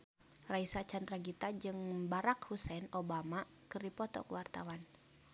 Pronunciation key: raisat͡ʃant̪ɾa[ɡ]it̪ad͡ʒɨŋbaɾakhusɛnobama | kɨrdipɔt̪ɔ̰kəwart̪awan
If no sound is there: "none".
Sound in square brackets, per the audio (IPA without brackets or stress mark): ɡ